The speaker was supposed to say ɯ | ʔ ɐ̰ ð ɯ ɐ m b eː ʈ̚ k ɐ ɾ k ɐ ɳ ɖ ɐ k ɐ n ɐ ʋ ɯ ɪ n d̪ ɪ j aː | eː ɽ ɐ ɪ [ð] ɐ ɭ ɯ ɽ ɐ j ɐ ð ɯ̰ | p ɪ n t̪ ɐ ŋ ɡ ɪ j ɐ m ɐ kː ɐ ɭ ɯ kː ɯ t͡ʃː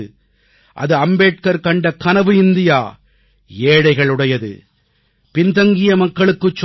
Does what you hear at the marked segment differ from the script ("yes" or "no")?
yes